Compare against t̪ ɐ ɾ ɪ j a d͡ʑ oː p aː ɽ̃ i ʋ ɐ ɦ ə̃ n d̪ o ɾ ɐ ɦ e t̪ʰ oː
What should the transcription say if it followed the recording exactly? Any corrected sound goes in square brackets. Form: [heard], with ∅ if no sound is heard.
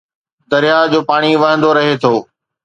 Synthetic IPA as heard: [d̪] ɐ ɾ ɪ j a d͡ʑ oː p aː ɽ̃ i ʋ ɐ ɦ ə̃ n d̪ o ɾ ɐ ɦ e t̪ʰ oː

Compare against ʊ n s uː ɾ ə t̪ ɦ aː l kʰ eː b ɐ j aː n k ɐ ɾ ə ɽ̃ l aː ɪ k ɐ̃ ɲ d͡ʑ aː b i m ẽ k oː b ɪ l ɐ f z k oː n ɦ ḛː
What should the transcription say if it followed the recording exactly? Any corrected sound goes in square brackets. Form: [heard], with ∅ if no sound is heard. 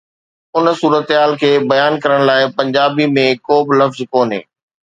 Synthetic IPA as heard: ʊ n s uː ɾ ə t̪ ɦ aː l kʰ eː b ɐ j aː n k ɐ ɾ ə ɽ̃ l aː ɪ [p] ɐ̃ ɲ d͡ʑ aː b i m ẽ k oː b ɪ l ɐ f z k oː n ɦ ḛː

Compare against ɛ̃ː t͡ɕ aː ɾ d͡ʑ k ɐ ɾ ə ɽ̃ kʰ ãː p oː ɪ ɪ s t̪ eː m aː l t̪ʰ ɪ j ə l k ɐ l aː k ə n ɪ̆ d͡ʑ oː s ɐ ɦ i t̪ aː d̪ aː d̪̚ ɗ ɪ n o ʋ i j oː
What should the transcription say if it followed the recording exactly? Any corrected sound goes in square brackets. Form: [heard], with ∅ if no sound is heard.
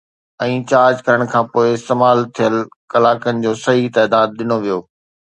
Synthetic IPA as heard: ɛ̃ː t͡ɕ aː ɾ d͡ʑ k ɐ ɾ ə ɽ̃ kʰ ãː p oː ɪ ɪ s t̪ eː m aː l t̪ʰ [i] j ə l k ɐ l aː k ə n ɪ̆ d͡ʑ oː s ɐ ɦ i t̪ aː d̪ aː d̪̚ ɗ ɪ n o ʋ i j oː

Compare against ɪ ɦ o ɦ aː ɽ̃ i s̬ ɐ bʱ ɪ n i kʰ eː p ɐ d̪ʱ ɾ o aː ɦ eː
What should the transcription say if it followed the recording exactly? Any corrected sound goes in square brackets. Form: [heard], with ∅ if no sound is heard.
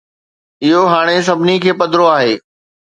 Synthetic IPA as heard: ɪ ɦ o ɦ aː ɽ̃ [e] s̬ ɐ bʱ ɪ n i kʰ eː p ɐ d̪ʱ ɾ o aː ɦ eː

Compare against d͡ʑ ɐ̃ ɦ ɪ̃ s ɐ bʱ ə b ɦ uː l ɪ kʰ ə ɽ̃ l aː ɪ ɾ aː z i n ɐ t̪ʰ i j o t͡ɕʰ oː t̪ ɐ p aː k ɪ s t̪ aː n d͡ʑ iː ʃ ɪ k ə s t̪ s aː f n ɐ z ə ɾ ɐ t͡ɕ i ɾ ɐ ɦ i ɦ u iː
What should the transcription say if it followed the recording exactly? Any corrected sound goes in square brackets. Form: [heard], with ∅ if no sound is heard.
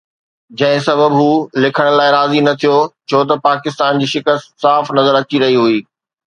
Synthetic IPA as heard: d͡ʑ ɐ̃ ɦ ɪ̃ s ɐ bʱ ə b ɦ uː l ɪ kʰ ə ɽ̃ l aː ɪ ɾ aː z i n ɐ t̪ʰ i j o t͡ɕʰ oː t̪ ɐ p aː k ɪ s t̪ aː n d͡ʑ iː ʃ ɪ k ə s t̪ s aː f n ɐ z ə ɾ ɐ t͡ɕ i ɾ ɐ ɦ i ɦ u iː

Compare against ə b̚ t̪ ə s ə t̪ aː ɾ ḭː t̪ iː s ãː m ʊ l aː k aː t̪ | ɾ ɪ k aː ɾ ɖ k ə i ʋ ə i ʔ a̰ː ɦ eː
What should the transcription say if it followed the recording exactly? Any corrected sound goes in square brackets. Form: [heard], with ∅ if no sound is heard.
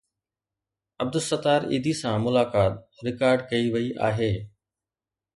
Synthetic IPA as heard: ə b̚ [d̪] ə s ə t̪ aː ɾ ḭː [d̪] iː s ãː m ʊ l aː k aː t̪ | ɾ ɪ k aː ɾ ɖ k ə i ʋ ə i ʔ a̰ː ɦ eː

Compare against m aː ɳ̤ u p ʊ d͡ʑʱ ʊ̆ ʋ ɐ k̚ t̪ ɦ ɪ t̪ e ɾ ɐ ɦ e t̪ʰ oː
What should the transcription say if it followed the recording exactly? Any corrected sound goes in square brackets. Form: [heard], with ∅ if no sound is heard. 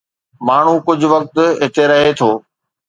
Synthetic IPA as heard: m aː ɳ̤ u [k] ʊ d͡ʑʱ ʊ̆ ʋ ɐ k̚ t̪ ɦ ɪ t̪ e ɾ ɐ ɦ e t̪ʰ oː

